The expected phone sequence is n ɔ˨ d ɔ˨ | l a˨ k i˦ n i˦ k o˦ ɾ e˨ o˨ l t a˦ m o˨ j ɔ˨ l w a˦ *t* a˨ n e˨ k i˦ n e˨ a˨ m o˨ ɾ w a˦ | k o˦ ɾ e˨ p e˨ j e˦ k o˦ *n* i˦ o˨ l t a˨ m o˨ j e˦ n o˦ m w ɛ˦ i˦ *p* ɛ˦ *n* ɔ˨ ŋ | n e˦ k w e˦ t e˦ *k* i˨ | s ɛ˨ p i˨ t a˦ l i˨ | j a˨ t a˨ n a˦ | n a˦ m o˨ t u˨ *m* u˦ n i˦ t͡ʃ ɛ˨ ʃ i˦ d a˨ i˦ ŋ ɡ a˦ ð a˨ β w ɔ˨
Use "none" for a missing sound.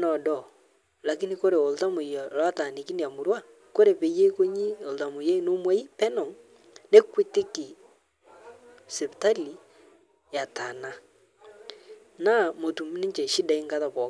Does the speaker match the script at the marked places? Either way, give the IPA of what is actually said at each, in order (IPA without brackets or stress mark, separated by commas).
t, ɲ, p, n, k, m